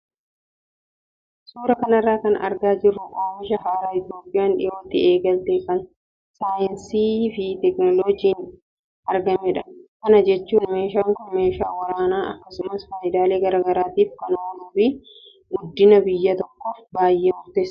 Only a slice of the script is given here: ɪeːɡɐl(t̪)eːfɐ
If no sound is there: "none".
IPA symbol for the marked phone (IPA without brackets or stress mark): t̪